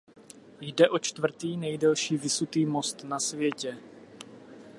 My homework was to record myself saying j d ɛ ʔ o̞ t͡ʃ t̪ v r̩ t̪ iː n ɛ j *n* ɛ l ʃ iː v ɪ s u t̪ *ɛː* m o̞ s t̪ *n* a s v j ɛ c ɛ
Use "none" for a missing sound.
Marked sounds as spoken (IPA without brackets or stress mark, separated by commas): d, iː, n